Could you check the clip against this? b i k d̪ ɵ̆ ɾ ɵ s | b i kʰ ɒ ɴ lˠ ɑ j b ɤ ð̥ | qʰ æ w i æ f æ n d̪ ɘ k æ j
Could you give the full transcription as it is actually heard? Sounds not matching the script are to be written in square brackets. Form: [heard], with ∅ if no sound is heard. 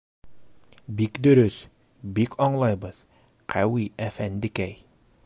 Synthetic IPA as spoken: b i k d̪ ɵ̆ ɾ ɵ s | b i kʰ ɒ ɴ lˠ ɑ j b ɤ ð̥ | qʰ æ w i æ f æ n d̪ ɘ k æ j